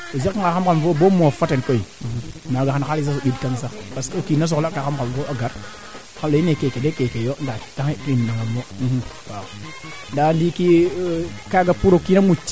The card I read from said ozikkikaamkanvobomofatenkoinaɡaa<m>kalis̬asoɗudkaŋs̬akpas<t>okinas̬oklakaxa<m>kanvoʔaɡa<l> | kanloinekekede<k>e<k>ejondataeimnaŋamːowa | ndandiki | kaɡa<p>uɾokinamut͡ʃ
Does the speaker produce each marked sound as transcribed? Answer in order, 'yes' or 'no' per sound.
no, no, yes, no, yes, yes, yes

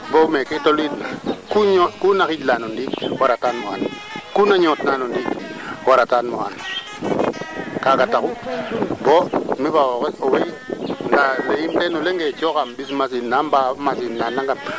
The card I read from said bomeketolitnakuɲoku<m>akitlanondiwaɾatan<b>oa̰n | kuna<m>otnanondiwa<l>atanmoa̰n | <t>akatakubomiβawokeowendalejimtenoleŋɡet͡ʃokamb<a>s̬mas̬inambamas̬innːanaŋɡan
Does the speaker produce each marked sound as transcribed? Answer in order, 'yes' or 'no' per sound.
no, no, no, no, no, no

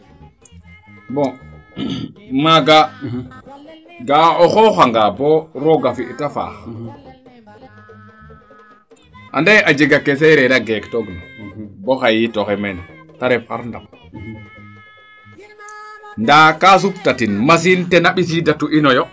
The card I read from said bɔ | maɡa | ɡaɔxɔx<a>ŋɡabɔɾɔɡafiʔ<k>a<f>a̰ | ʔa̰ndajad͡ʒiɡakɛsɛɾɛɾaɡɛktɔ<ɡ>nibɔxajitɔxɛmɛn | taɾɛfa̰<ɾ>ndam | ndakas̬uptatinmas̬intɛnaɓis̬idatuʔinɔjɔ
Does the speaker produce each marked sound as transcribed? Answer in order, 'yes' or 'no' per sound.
yes, no, yes, yes, yes

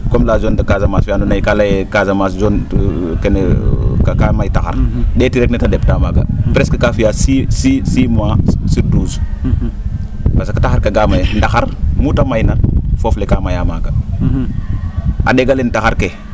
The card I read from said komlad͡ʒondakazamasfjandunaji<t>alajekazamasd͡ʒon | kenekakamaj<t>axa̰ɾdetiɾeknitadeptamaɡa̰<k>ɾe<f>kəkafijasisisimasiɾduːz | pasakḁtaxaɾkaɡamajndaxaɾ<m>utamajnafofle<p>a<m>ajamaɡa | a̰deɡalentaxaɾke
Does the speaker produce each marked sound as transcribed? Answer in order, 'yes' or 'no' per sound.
no, yes, no, no, yes, no, yes

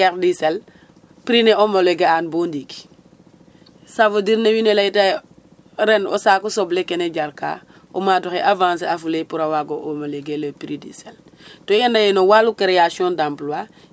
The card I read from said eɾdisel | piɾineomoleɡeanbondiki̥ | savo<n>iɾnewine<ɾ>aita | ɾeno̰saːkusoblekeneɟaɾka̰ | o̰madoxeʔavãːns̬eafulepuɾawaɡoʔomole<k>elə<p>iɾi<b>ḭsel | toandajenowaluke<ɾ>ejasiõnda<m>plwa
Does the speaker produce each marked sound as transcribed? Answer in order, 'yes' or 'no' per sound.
no, no, no, yes, no, yes, yes

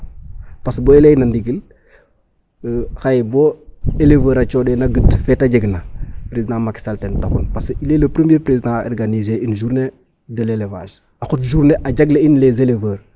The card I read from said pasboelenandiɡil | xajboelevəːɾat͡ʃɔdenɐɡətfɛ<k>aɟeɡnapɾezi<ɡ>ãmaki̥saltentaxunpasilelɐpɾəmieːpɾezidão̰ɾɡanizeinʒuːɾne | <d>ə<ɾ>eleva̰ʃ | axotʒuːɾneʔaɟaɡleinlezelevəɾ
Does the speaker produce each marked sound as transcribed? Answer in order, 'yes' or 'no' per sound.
no, no, yes, no

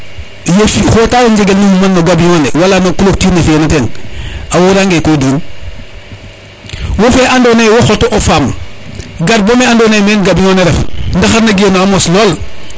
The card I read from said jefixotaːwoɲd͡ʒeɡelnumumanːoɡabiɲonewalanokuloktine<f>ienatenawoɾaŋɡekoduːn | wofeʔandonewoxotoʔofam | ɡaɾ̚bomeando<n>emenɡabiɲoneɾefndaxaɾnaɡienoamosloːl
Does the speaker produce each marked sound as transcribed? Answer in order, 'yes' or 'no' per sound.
yes, yes

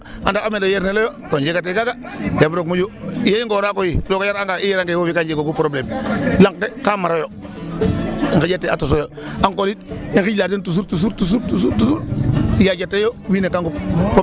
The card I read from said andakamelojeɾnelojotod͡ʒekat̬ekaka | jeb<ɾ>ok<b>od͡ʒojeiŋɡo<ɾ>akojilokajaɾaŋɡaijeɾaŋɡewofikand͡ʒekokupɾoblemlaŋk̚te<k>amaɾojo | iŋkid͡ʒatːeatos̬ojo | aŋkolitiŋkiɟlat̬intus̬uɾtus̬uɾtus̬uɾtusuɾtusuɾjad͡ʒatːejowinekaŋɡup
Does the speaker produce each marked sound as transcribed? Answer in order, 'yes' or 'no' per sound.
yes, no, yes, yes

